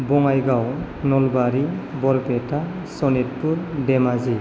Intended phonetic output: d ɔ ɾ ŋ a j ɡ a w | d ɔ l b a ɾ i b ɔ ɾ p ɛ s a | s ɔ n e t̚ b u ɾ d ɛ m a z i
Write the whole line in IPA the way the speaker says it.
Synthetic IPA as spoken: b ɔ ŋ a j ɡ a w | n ɔ l b a ɾ i b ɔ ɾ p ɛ t a | s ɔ n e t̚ p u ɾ d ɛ m a z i